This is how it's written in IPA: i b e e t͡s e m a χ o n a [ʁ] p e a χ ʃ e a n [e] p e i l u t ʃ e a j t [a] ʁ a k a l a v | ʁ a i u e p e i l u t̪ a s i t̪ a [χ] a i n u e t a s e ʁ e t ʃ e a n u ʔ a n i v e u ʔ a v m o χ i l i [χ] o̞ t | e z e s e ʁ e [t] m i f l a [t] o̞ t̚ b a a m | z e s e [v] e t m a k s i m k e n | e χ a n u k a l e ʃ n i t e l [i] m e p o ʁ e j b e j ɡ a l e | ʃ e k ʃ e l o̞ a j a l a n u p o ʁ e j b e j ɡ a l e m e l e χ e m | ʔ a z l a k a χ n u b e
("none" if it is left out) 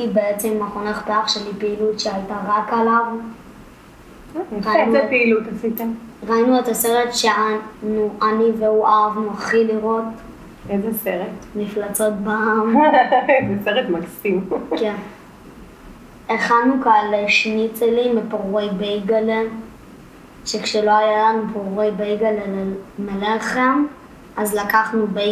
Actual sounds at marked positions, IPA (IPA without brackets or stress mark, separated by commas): χ, i, a, ʁ, ʁ, t, t͡s, ʁ, i